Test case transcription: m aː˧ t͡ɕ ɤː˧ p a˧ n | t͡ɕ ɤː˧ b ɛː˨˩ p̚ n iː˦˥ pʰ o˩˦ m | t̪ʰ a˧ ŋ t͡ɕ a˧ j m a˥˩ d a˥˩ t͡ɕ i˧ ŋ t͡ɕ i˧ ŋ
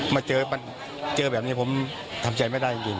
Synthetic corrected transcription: m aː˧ t͡ɕ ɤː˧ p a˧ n | t͡ɕ ɤː˧ b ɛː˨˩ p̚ n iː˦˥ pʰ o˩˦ m | t̪ʰ a˧ m t͡ɕ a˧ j m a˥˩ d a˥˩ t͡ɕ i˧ ŋ t͡ɕ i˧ ŋ